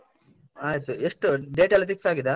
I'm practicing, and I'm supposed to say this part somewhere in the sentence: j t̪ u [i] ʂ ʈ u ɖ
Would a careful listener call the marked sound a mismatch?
yes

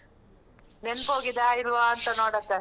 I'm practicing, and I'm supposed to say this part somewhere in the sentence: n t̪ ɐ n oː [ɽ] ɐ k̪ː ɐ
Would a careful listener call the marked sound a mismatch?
no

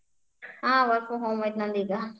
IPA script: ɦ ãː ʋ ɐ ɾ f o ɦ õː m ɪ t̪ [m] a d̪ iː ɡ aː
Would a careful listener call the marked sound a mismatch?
yes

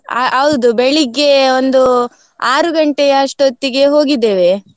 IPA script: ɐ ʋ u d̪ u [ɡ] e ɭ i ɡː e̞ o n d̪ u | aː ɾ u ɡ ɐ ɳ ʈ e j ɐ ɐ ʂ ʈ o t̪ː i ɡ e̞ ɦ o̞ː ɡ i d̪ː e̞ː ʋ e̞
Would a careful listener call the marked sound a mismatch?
yes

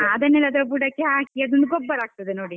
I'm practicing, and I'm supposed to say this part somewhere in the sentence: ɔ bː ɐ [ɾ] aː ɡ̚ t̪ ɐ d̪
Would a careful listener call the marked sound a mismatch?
no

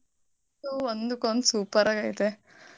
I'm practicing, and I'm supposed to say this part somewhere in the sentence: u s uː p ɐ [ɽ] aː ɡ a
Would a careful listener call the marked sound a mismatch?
yes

